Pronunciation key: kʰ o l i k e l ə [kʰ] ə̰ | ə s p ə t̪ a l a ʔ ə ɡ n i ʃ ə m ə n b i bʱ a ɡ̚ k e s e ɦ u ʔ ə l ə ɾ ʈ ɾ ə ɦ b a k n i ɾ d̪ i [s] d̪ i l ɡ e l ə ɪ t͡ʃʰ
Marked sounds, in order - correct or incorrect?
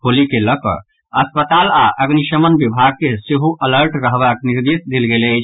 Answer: incorrect, correct

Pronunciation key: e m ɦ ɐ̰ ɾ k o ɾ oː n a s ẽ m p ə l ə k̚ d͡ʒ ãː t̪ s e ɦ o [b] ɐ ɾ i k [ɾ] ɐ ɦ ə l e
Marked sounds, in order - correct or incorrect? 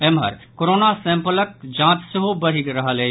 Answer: correct, correct

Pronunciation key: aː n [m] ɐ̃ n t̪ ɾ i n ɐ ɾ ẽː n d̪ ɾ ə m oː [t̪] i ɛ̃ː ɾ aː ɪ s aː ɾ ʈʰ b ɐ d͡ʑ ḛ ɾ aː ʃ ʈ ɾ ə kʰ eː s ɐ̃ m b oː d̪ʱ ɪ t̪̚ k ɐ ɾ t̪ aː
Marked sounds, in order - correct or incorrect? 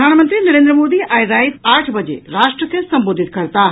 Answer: correct, incorrect

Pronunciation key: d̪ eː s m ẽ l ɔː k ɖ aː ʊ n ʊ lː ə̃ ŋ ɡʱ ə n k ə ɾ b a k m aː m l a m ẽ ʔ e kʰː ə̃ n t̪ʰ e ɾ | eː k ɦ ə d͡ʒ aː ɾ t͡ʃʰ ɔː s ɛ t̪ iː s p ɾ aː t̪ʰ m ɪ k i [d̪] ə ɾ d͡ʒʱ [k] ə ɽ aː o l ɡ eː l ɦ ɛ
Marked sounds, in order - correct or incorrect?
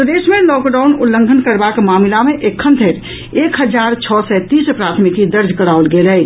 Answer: correct, correct

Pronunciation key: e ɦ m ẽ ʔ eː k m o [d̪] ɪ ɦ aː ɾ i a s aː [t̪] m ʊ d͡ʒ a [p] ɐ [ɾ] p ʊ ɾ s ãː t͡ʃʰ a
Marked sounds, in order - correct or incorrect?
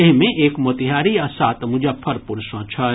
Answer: incorrect, correct, incorrect, correct

